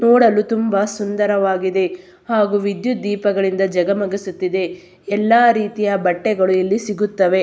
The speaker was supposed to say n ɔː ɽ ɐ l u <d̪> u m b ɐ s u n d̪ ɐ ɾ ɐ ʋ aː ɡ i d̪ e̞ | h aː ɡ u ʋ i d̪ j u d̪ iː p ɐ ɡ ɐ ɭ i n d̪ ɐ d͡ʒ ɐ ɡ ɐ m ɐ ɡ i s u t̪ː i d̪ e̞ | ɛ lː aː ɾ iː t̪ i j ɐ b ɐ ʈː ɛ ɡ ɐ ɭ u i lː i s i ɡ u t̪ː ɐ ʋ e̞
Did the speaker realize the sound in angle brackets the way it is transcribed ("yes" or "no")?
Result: no